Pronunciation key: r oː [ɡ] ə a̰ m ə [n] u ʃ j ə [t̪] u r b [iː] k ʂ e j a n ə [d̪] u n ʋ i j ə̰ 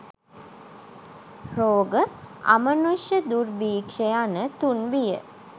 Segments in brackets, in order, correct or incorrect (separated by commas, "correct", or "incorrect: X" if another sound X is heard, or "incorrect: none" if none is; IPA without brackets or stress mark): correct, correct, incorrect: d̪, correct, incorrect: t̪